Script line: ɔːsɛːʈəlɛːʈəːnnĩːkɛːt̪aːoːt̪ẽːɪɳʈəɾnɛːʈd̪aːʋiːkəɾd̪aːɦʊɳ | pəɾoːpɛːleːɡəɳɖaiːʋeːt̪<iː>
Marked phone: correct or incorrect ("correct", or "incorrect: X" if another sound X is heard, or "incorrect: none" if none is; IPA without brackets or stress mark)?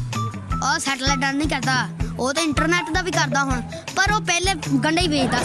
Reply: incorrect: aː